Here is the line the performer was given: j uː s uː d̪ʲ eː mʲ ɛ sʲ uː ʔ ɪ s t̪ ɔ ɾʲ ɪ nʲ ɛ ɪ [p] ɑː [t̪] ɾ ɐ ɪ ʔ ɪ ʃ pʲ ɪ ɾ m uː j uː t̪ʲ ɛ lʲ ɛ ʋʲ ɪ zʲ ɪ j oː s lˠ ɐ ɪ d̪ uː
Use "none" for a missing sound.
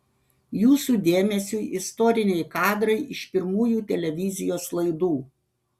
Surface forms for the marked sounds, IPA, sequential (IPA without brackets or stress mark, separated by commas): k, d̪